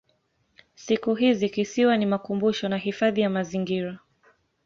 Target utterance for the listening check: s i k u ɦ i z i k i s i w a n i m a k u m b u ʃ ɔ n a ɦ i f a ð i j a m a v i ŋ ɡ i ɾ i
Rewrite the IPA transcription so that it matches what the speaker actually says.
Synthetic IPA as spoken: s i k u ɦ i z i k i s i w a n i m a k u m b u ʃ ɔ n a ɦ i f a ð i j a m a z i ŋ ɡ i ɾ a